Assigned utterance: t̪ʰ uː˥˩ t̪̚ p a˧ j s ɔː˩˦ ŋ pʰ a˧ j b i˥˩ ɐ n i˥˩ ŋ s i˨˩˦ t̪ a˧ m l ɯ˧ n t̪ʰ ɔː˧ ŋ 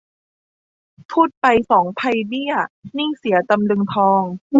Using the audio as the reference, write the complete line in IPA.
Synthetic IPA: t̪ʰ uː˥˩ t̪̚ p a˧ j s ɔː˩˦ ŋ pʰ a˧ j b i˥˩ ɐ n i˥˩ ŋ s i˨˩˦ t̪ a˧ m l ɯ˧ ŋ t̪ʰ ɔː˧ ŋ